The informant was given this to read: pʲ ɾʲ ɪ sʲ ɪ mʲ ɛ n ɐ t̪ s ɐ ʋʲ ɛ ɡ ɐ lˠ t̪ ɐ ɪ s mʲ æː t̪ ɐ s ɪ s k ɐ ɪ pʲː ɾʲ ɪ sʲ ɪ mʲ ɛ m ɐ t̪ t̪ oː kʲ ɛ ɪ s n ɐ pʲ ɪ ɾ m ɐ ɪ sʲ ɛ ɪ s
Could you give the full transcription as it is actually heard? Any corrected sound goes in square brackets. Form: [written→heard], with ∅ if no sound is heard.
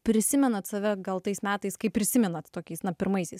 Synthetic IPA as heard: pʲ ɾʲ ɪ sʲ ɪ mʲ ɛ n ɐ t̪ s ɐ ʋʲ ɛ ɡ ɐ lˠ t̪ ɐ ɪ s mʲ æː t̪ ɐ [s→∅] ɪ s k ɐ ɪ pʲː ɾʲ ɪ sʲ ɪ mʲ ɛ [m→n] ɐ t̪ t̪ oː kʲ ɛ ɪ s n ɐ pʲ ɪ ɾ m ɐ ɪ sʲ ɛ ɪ s